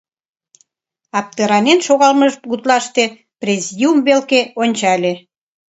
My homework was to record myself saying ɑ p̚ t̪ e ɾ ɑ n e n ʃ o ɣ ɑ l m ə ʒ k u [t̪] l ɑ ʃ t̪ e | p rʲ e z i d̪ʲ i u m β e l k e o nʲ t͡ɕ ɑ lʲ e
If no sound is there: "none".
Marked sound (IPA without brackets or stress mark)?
t̪